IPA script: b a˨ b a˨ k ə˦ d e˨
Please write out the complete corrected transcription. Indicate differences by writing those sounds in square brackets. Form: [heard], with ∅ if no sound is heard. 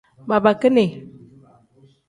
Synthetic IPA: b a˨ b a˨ k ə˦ [n] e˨